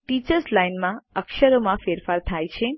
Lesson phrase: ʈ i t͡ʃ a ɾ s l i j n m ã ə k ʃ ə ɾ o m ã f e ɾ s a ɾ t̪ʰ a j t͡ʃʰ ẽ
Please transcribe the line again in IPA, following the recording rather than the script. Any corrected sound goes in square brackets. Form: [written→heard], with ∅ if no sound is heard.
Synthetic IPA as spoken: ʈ i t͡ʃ [a→ə] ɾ s l [i→a] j n m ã ə k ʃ ə ɾ o m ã f e ɾ [s→f] a ɾ t̪ʰ a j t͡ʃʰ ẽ

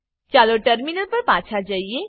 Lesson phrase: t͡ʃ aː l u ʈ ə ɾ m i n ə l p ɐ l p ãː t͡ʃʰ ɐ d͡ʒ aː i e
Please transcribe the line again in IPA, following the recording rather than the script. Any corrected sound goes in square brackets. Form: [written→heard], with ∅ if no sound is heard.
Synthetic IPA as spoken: t͡ʃ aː l [u→o] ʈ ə ɾ m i n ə l p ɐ [l→ɾ] p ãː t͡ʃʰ [ɐ→a] d͡ʒ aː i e

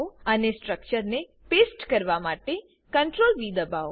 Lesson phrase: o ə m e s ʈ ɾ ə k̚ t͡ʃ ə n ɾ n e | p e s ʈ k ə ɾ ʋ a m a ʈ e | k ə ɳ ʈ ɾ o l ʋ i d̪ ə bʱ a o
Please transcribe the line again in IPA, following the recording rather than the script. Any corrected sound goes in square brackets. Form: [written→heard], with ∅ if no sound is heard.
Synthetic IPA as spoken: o ə [m→n] e s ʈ ɾ ə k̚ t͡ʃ ə [n→∅] ɾ n e | p e s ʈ k ə ɾ ʋ a m a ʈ e | k ə ɳ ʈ ɾ o l ʋ i d̪ ə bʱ a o

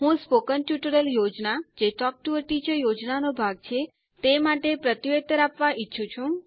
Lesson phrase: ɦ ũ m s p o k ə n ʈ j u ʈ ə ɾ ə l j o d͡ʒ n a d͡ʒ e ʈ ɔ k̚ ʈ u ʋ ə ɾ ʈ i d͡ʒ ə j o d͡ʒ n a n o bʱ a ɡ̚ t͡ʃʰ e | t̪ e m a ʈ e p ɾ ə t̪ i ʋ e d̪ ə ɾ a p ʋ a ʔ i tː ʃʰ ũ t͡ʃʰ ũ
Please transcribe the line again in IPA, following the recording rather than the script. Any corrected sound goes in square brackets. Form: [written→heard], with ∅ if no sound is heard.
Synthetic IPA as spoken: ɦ ũ [m→∅] s p o k ə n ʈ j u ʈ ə ɾ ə l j o d͡ʒ n a d͡ʒ e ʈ ɔ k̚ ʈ u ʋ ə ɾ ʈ i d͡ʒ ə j o d͡ʒ n a n o bʱ a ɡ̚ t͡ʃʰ e | t̪ e m a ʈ e p ɾ ə t̪ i ʋ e [d̪→t̪] ə ɾ a p ʋ a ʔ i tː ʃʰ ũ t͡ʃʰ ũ

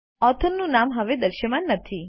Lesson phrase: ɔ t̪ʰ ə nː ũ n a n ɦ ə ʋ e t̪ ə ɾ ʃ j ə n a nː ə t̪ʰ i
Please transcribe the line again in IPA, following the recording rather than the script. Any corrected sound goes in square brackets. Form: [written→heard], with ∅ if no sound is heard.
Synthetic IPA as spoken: ɔ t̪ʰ ə nː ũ n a [n→m] ɦ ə ʋ e [t̪→d̪] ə ɾ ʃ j ə [n→m] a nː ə t̪ʰ i

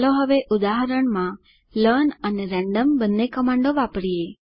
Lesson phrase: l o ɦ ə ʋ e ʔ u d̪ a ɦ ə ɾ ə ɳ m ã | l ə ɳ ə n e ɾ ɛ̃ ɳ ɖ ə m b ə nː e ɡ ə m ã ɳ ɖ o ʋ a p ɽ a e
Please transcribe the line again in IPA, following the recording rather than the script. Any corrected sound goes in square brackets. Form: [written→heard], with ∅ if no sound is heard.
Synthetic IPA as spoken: l o ɦ ə ʋ e ʔ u d̪ a ɦ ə ɾ ə ɳ m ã | l ə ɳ ə n e ɾ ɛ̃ ɳ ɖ ə m b ə nː e [ɡ→k] ə m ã ɳ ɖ o ʋ a p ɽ [a→i] e

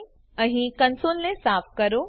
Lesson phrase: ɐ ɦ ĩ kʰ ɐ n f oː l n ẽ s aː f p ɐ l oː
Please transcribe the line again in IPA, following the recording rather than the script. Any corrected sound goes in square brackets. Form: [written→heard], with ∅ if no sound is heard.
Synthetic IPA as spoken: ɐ ɦ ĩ [kʰ→k] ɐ n [f→s] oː l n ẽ s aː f [p→k] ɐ [l→ɾ] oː

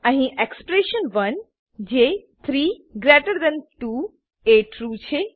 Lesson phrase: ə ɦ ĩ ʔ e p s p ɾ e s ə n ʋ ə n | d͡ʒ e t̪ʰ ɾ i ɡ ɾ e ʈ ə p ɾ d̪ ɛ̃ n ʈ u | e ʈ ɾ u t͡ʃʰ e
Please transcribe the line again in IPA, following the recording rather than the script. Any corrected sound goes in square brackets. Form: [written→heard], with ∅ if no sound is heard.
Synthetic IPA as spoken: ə ɦ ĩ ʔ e [p→k] s p ɾ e [s→ʃ] ə n ʋ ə n | d͡ʒ e t̪ʰ ɾ i ɡ ɾ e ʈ ə [p→∅] ɾ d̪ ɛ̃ n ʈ u | e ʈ ɾ u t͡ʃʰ e

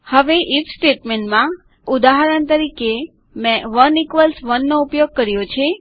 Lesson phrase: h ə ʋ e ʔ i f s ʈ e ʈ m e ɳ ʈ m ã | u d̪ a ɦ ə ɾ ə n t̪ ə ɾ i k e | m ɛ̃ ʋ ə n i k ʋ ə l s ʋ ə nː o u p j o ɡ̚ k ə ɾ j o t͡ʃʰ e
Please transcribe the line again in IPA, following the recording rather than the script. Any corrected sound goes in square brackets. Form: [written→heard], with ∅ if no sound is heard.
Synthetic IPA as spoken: h ə ʋ e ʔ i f s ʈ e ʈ m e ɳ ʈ m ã | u d̪ a ɦ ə ɾ ə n t̪ ə ɾ i k e | m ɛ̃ ʋ ə n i k ʋ ə l s ʋ ə nː o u p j o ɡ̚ k ə ɾ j o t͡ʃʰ e

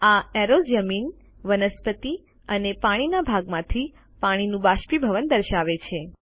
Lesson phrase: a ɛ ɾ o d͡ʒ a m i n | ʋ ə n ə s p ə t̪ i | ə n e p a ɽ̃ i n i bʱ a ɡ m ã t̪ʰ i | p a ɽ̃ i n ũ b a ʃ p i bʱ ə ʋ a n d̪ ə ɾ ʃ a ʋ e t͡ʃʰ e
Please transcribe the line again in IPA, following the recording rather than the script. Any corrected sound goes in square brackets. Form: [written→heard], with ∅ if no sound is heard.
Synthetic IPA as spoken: a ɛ ɾ o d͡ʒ [a→ə] m i n | ʋ ə n ə s p ə t̪ i | ə n e p a ɽ̃ i n [i→a] bʱ a ɡ m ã t̪ʰ i | p a ɽ̃ i n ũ b a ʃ p i bʱ ə ʋ [a→ə] n d̪ ə ɾ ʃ a ʋ e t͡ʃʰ e

